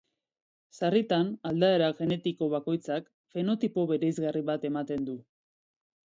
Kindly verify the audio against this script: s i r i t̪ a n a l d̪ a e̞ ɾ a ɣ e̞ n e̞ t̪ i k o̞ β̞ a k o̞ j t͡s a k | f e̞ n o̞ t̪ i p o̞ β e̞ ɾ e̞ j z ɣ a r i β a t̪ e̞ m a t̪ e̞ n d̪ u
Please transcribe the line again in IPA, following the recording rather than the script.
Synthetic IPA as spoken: s a r i t̪ a n a l d̪ a e̞ ɾ a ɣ e̞ n e̞ t̪ i k o̞ β̞ a k o̞ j t͡s a k | f e̞ n o̞ t̪ i p o̞ β e̞ ɾ e̞ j z ɣ a r i β a t̪ e̞ m a t̪ e̞ n d̪ u